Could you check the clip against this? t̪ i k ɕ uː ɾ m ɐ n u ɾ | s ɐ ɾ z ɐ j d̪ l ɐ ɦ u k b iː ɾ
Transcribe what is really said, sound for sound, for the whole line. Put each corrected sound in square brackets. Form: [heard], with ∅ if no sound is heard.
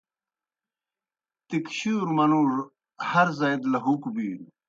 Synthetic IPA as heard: t̪ i k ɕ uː ɾ m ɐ n u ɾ | [h] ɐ ɾ z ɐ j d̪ l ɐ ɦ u k b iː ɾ